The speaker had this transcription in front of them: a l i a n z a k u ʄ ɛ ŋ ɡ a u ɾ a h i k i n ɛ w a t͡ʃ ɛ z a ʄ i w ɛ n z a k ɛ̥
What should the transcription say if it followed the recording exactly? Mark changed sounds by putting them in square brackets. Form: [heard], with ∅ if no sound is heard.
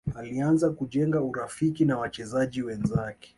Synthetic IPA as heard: a l i a n z a k u ʄ ɛ ŋ ɡ a u ɾ a [f] i k i n [a] w a t͡ʃ ɛ z a ʄ i w ɛ n z a k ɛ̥